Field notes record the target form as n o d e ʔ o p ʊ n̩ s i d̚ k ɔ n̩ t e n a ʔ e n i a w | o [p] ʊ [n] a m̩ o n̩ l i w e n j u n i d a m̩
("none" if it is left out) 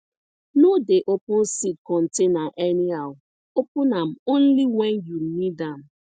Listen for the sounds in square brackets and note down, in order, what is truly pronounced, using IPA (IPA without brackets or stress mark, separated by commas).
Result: p, n